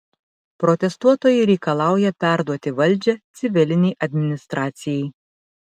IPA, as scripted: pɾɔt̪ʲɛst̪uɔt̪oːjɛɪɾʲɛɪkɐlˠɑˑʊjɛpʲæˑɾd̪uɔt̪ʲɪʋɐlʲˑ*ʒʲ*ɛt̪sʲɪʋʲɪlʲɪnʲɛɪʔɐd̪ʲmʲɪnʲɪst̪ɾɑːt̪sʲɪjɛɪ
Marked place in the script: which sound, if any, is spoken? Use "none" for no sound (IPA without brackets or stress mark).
d͡ʒʲ